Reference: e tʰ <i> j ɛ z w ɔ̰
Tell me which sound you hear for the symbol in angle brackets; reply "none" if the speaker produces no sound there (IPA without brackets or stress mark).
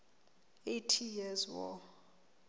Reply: i